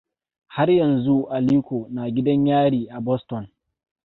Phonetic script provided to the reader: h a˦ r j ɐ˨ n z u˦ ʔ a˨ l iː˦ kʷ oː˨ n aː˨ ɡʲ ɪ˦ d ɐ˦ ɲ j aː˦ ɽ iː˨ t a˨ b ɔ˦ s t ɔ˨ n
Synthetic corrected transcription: h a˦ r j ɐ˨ n z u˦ ʔ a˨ l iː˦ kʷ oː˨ n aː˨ ɡʲ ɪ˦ d ɐ˦ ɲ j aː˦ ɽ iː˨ ʔ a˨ b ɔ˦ s t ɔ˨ n